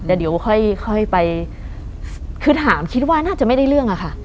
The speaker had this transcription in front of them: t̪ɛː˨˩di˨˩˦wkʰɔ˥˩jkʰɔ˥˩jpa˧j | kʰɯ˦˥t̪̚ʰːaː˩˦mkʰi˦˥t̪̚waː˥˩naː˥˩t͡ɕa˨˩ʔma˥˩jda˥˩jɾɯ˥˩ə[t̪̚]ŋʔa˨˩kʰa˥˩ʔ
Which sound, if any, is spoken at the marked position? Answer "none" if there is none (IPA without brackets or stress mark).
none